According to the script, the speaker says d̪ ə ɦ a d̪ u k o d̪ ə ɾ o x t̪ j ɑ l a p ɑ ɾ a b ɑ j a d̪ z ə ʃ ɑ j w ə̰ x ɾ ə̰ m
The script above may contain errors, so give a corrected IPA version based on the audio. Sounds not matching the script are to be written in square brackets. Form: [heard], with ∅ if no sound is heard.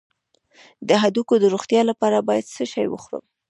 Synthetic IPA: d̪ ə ɦ a d̪ u k o d̪ ə ɾ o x t̪ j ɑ l a p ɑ ɾ a b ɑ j a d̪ [s] ə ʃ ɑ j w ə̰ x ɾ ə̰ m